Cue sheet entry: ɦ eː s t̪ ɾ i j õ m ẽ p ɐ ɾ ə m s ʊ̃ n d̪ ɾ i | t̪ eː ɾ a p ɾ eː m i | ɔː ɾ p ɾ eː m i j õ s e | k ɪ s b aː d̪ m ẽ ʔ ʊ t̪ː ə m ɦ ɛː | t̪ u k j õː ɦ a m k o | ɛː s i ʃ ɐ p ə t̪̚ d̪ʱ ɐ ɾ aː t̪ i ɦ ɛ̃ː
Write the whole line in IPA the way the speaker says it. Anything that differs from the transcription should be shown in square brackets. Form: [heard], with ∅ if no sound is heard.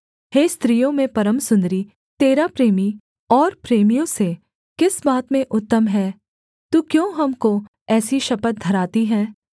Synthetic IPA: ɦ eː s t̪ ɾ i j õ m ẽ p ɐ ɾ ə m s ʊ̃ n d̪ ɾ i | t̪ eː ɾ a p ɾ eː m i | ɔː ɾ p ɾ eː m i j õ s e | k ɪ s b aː [t̪] m ẽ ʔ ʊ t̪ː ə m ɦ ɛː | t̪ u k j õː ɦ [ɐ] m k o | ɛː s i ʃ ɐ p ə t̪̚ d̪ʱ ɐ ɾ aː t̪ i ɦ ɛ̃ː